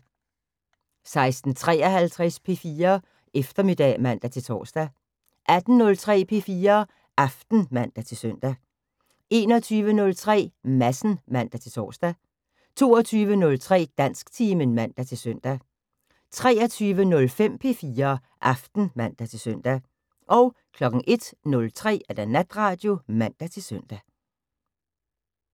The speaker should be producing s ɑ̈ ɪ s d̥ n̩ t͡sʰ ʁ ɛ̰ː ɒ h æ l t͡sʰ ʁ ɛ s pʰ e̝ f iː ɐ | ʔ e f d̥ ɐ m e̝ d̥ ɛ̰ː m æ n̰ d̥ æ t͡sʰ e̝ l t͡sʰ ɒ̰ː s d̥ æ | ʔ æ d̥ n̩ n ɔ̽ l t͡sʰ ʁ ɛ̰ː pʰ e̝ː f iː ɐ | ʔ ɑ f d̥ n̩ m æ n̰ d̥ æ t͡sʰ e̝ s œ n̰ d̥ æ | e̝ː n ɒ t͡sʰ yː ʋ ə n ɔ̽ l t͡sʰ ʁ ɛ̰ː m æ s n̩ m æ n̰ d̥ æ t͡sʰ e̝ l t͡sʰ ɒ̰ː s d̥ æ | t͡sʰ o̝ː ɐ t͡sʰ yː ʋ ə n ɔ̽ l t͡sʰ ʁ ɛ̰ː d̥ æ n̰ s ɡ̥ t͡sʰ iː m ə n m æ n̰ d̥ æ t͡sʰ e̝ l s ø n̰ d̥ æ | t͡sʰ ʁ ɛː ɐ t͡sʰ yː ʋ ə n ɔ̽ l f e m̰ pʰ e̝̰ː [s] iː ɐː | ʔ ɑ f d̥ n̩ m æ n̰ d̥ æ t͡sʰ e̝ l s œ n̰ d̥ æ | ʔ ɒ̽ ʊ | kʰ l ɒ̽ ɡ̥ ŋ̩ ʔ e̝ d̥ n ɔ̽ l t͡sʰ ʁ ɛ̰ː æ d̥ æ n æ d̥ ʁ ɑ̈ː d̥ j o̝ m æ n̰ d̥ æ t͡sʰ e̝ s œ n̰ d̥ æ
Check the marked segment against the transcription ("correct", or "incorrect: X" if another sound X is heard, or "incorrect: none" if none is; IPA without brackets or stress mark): incorrect: f